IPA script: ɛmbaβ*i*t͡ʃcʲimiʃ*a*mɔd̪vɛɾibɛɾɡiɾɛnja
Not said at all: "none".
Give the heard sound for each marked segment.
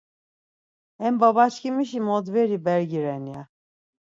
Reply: a, i

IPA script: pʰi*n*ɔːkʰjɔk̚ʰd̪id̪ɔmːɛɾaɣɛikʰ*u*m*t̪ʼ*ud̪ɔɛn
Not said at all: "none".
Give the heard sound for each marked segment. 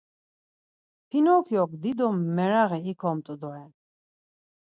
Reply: n, ɔ, t̪ʼ

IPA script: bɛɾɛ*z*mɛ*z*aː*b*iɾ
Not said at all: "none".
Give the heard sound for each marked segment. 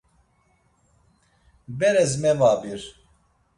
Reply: z, v, b

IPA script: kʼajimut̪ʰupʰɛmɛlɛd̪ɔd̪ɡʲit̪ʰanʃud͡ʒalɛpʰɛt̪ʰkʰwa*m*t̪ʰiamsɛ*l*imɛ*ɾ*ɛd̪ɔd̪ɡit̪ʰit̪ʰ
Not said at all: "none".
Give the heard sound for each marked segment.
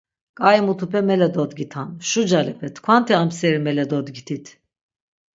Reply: n, ɾ, l

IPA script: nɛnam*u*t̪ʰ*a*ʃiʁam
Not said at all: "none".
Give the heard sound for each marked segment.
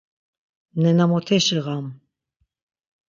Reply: ɔ, ɛ

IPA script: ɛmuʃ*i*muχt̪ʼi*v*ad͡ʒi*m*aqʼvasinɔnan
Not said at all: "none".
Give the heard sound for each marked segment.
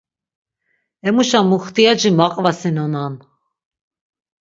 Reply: a, none, m

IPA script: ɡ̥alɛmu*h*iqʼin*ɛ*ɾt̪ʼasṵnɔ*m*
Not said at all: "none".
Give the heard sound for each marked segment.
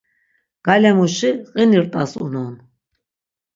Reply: ʃ, i, n

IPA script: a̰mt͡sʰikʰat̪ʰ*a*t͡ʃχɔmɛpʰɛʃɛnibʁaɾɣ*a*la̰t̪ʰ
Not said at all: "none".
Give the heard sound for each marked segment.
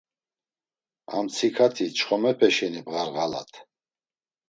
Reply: i, a

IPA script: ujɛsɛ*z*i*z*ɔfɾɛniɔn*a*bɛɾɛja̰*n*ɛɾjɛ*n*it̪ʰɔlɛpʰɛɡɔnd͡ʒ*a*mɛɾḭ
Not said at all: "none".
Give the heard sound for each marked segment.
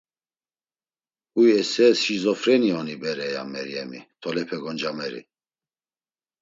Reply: s, z, i, m, m, a

